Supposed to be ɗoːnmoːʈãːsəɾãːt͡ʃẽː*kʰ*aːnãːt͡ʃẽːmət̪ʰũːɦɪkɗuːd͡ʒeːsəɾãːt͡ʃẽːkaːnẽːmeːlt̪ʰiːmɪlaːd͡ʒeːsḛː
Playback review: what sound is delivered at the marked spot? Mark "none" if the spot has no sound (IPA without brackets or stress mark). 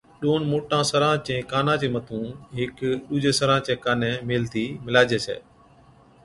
k